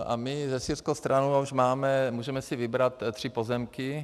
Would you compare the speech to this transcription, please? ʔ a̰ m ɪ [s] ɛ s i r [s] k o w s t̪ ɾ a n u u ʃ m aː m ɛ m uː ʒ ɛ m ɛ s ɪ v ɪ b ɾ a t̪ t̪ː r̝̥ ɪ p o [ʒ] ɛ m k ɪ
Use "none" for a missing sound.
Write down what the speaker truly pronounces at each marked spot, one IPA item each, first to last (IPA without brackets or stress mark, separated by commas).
z, s, z